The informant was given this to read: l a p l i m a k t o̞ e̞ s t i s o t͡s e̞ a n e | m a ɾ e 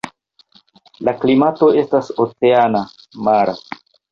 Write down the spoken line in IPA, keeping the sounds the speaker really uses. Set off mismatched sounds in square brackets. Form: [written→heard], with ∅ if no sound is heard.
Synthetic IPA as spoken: l a [p→k] l i m a [k→∅] t o̞ e̞ s t [i→a] s o t͡s e̞ a n [e→a] | m a ɾ [e→a]